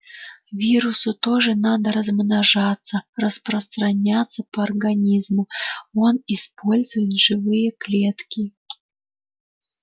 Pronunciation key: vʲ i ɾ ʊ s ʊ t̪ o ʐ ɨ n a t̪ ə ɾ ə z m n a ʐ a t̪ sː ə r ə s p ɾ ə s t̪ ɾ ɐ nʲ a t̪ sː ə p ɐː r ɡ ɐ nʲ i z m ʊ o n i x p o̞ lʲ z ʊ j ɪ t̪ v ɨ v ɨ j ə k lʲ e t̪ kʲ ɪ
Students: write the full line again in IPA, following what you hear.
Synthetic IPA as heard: vʲ i ɾ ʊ s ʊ t̪ o ʐ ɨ n a d̪ ə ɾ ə z m n a ʐ a t̪ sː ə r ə s p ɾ ə s t̪ ɾ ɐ nʲ a t̪ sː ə p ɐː r ɡ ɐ nʲ i z m ʊ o n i s p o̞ lʲ z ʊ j ɪ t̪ ʐ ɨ v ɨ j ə k lʲ e t̪ kʲ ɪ